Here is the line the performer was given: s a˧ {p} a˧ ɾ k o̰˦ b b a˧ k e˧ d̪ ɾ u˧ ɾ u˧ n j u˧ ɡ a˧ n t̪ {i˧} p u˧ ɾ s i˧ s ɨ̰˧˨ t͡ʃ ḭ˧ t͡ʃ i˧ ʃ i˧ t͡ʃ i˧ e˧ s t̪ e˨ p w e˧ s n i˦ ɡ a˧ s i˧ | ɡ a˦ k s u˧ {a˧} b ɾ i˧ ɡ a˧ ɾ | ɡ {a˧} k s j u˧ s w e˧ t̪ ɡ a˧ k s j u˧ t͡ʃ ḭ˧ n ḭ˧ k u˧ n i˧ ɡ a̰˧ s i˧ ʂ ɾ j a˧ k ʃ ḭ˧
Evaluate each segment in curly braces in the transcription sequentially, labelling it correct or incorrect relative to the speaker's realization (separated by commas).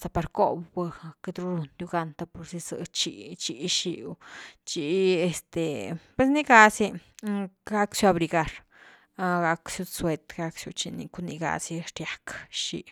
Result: correct, incorrect, correct, correct